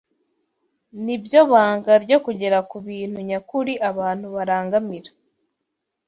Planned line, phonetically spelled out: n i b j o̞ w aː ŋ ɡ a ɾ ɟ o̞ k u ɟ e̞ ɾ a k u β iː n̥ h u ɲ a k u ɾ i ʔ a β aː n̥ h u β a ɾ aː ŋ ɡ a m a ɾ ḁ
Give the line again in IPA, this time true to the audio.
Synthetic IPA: n i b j o̞ β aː ŋ ɡ a ɾ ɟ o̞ k u ɟ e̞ ɾ a k u β iː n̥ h u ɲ a k u ɾ i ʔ a β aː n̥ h u β a ɾ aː ŋ ɡ a m i ɾ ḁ